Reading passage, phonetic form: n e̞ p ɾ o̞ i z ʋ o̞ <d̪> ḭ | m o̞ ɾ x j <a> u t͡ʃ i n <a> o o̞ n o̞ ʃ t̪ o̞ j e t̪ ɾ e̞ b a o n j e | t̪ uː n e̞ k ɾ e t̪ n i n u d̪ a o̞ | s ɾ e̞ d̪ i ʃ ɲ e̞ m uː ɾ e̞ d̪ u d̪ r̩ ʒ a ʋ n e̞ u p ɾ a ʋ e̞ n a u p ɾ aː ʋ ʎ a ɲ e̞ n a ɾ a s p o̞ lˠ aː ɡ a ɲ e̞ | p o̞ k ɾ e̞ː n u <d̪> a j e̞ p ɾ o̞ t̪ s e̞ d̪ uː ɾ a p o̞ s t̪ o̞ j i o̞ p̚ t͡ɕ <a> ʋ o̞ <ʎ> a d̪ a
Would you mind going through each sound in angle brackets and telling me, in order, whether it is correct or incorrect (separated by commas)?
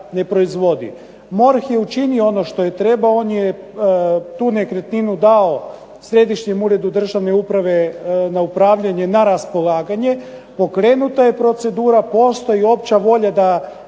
correct, incorrect, incorrect, incorrect, correct, correct